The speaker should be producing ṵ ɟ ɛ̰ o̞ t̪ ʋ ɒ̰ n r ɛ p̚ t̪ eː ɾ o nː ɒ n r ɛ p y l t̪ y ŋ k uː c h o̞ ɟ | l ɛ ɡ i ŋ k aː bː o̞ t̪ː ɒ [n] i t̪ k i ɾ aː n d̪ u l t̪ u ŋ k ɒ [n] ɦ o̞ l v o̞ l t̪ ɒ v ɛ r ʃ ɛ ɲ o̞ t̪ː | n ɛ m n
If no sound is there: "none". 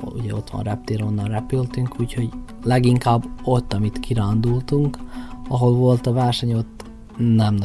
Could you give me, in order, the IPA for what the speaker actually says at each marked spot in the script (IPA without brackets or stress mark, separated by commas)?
m, none